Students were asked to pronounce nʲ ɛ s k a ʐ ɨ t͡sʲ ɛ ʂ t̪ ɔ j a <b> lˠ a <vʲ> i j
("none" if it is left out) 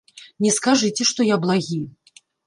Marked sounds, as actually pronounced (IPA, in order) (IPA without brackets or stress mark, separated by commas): b, ɣʲ